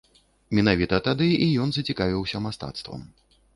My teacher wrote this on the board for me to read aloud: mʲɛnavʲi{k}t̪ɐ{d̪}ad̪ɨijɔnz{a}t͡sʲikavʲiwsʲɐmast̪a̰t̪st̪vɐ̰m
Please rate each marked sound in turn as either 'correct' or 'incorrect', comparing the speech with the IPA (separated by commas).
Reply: incorrect, incorrect, incorrect